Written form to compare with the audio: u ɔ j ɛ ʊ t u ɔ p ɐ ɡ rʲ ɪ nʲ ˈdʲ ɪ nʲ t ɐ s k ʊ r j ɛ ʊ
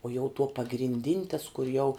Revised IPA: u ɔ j ɛ ʊ t u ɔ p ɐ ɡ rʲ ɪ nʲ ˈdʲ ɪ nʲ t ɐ s k ʊ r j ɛ ʊ